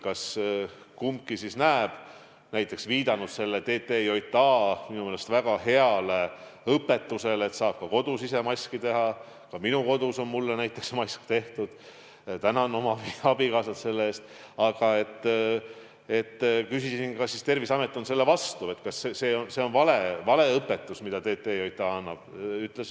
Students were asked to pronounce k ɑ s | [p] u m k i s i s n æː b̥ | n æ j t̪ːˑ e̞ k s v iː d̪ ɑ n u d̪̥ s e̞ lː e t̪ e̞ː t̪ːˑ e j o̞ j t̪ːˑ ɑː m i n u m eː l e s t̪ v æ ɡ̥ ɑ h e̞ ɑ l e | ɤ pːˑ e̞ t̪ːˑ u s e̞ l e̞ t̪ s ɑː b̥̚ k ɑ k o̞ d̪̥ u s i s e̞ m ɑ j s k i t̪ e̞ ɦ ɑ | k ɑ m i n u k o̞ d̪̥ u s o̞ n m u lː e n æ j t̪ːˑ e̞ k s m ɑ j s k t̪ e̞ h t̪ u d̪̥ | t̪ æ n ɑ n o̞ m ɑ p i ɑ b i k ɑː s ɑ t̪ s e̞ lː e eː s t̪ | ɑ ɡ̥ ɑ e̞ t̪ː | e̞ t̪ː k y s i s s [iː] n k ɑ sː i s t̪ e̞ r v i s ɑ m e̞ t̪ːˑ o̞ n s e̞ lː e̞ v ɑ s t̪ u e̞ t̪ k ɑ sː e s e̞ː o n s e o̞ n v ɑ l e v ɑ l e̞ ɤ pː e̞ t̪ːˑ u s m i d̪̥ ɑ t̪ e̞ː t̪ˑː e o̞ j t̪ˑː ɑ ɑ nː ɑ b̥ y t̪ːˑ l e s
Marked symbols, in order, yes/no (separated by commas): no, no